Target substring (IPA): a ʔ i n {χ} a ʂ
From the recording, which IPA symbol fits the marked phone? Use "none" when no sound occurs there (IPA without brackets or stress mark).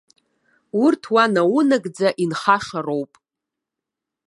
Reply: χ